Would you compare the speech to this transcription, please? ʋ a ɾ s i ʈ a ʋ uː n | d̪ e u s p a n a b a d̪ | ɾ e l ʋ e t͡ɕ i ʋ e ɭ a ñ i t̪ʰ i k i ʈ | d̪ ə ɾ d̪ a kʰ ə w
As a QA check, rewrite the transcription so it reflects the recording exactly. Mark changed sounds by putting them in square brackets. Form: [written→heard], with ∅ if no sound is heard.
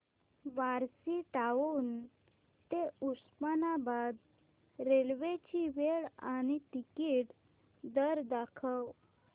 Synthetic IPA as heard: ʋ a ɾ s i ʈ a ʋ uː n | [d̪→t̪] e u s p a n a b a d̪ | ɾ e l ʋ e t͡ɕ i ʋ e ɭ a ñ i [t̪ʰ→t̪] i k i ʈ | d̪ ə ɾ d̪ a kʰ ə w